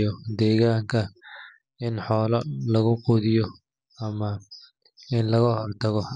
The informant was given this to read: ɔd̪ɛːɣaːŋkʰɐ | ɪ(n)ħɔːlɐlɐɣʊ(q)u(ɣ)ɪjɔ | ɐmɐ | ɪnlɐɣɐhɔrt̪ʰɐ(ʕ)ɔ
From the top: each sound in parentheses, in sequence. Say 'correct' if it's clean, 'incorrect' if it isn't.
correct, correct, incorrect: ð, incorrect: ɣ

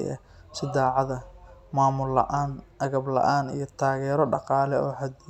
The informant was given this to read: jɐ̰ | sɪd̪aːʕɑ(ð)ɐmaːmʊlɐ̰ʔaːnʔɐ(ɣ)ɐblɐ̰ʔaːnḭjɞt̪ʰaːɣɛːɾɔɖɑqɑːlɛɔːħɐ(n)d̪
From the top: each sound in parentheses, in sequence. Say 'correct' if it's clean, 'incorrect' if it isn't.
correct, correct, incorrect: none

